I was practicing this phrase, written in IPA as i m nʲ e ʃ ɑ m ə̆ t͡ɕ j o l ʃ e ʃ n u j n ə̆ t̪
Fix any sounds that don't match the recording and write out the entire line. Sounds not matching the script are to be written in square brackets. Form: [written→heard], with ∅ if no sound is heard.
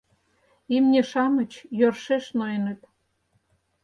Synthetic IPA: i m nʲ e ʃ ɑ m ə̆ t͡ɕ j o [l→r] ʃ e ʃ n [u→o] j n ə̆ t̪

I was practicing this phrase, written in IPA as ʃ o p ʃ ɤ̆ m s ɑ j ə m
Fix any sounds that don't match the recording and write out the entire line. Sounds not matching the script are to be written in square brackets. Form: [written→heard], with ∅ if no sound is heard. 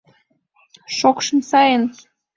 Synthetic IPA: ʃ o [p→k] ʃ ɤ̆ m s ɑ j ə [m→n]

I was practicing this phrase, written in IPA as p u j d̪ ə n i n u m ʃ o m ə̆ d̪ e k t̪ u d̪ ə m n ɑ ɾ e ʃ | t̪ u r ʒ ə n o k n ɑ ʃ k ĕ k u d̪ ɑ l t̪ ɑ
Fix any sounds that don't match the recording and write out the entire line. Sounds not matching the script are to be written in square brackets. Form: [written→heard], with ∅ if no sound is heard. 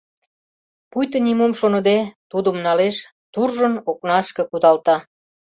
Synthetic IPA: p u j [d̪→t̪] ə n i [n→m] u m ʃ o [m→n] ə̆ d̪ e [k→∅] t̪ u d̪ ə m n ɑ [ɾ→l] e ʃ | t̪ u r ʒ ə n o k n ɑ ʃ k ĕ k u d̪ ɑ l t̪ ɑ

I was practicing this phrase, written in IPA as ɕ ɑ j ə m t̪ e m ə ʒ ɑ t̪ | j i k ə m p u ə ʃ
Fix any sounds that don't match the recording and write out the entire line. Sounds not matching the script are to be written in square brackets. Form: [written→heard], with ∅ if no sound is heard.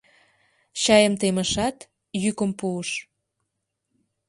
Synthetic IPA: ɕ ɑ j ə m t̪ e m ə [ʒ→ʃ] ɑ t̪ | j [i→y] k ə m p u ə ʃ

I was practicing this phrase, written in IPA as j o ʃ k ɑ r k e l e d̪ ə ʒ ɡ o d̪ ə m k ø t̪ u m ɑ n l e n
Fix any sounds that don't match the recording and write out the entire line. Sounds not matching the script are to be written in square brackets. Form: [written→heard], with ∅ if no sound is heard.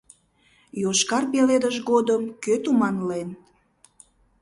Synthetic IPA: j o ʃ k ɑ r [k→p] e l e d̪ ə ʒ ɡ o d̪ ə m k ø t̪ u m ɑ n l e n

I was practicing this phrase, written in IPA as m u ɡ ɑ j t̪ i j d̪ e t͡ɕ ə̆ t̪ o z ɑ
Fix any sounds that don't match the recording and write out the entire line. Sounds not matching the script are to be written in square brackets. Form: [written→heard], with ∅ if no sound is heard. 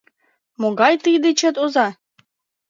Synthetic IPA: m [u→o] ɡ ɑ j t̪ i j d̪ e t͡ɕ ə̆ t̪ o z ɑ

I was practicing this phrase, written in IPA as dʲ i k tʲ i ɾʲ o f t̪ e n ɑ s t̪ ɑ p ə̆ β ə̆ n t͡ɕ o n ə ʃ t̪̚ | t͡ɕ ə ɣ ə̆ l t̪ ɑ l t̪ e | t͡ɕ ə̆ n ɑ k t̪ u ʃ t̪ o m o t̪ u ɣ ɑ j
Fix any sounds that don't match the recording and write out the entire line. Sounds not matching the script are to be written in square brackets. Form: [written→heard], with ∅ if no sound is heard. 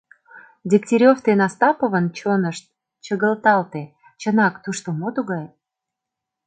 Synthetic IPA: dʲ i k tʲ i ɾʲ o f t̪ e n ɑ s t̪ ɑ p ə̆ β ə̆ n t͡ɕ o n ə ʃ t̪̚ | t͡ɕ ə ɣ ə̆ l t̪ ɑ l t̪ e | t͡ɕ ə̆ n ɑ k t̪ u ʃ t̪ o m o t̪ u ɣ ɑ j

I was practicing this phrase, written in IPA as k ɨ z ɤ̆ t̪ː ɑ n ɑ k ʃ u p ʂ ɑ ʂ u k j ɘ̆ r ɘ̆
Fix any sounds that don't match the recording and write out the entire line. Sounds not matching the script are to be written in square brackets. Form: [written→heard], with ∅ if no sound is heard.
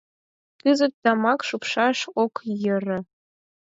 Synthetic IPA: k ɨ z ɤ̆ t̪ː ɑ [n→m] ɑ k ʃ u p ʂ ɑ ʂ [u→o] k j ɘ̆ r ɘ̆

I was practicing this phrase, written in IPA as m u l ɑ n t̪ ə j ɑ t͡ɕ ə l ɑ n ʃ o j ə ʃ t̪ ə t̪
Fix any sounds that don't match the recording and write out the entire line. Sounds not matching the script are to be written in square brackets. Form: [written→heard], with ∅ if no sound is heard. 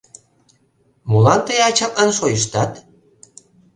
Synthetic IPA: m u l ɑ n t̪ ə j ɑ t͡ɕ [ə→ɑ] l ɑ n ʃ o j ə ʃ t̪ [ə→ɑ] t̪

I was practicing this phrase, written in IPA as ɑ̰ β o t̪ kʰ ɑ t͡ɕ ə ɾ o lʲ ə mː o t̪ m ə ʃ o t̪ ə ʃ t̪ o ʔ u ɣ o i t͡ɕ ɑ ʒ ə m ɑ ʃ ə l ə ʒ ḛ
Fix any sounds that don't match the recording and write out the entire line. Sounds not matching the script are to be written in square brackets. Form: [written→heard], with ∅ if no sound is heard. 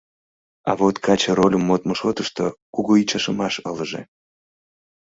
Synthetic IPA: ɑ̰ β o t̪ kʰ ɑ t͡ɕ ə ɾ o lʲ ə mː o t̪ m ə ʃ o t̪ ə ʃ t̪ o [ʔ→k] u ɣ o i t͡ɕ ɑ [ʒ→ʃ] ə m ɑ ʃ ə l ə ʒ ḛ

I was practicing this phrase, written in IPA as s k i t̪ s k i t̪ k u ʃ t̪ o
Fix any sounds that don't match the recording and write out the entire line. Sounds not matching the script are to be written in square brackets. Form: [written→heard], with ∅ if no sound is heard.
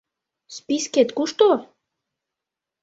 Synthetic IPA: s [k→p] i [t̪→∅] s k [i→e] t̪ k u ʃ t̪ o

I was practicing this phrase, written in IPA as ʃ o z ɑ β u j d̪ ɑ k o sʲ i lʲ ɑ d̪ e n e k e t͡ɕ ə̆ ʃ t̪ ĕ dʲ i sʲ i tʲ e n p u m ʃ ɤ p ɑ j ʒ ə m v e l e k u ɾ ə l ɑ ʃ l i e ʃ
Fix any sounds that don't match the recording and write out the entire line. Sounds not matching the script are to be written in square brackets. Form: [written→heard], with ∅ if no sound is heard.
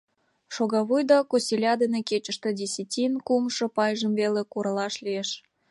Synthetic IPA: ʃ o [z→ɣ] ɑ β u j d̪ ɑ k o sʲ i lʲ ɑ d̪ e n e k e t͡ɕ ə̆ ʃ t̪ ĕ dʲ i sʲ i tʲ [e→i] n [p→k] u m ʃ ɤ p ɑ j ʒ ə m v e l e k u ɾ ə l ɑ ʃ l i e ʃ

